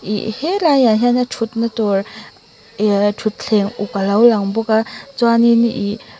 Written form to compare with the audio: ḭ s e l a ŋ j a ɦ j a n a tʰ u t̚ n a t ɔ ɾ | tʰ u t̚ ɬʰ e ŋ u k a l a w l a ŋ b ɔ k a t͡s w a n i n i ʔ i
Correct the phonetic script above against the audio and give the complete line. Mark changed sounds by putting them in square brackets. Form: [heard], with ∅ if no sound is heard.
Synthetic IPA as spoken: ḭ [h] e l a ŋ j a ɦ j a n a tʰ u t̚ n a t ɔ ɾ | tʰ u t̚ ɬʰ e ŋ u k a l a w l a ŋ b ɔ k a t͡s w a n i n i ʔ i